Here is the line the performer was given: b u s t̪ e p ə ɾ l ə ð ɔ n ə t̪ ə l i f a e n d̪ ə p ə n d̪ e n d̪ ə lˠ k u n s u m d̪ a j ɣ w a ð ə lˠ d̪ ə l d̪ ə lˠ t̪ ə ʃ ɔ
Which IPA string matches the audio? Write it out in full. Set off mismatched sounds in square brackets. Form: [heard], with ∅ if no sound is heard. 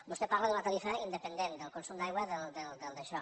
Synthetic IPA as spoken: b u s t̪ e p [a] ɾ l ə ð [u] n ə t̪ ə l i f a [i] n d̪ ə p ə n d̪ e n d̪ ə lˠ k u n s u m d̪ a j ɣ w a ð ə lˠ d̪ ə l d̪ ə lˠ [d̪] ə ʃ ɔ